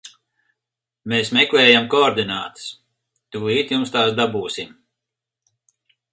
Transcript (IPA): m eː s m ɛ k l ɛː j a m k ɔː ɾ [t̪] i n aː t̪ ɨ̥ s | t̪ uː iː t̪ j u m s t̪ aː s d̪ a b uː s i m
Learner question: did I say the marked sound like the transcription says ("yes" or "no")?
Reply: no